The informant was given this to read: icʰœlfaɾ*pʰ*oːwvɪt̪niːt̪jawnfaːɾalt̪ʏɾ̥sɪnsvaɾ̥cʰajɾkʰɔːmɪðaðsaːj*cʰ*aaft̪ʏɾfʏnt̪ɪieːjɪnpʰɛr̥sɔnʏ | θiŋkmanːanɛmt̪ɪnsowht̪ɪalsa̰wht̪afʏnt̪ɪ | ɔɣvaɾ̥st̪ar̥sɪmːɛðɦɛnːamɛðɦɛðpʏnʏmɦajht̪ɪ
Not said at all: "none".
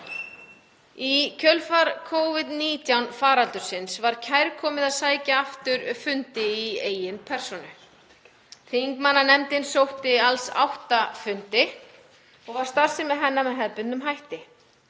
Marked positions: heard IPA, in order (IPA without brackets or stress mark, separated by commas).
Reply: kʰ, c